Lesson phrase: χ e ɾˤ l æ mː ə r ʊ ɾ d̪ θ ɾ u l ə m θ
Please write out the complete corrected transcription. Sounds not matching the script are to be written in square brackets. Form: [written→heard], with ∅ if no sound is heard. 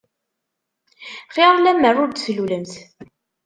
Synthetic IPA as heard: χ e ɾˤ l æ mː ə r ʊ ɾ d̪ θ [ɾ→l] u l ə m θ